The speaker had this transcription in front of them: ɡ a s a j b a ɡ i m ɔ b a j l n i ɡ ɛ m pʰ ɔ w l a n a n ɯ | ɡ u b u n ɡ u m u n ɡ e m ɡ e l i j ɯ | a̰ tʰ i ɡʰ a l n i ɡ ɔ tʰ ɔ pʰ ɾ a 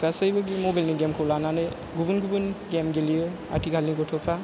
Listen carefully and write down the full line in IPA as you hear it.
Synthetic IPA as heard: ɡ a s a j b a ɡ i m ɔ b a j l n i ɡ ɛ m kʰ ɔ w l a n a n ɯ | ɡ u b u n ɡ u b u n ɡ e m ɡ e l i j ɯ | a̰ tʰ i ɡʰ a l n i ɡ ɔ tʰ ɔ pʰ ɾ a